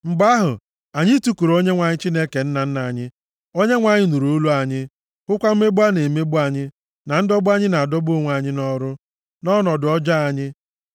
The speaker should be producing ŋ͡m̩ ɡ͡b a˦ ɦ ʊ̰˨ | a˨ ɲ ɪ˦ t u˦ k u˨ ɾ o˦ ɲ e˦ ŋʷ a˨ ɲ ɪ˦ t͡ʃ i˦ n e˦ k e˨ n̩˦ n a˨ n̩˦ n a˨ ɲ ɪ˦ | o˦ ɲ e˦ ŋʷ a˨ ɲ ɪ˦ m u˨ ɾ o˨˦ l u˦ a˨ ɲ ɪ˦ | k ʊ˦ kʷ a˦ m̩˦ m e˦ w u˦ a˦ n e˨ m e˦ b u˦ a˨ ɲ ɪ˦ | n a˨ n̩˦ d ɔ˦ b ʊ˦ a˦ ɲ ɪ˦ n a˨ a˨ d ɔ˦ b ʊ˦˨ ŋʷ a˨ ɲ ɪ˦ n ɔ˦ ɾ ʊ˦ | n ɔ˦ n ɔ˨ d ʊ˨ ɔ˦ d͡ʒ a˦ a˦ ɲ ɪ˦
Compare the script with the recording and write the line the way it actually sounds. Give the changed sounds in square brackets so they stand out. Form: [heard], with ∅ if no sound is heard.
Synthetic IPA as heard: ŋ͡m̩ ɡ͡b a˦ ɦ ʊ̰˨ | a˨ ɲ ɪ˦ t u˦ k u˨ ɾ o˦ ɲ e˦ ŋʷ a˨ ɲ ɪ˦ t͡ʃ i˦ n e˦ k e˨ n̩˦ n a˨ n̩˦ n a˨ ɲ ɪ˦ | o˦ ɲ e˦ ŋʷ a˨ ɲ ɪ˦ [n] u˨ ɾ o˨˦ l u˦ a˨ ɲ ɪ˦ | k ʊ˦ kʷ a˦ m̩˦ m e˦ [b] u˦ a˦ n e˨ m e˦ b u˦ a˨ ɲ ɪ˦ | n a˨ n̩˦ d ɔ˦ b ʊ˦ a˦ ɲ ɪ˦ n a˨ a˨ d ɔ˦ b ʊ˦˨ ŋʷ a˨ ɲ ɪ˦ n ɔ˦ ɾ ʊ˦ | n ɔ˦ n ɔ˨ d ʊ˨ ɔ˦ d͡ʒ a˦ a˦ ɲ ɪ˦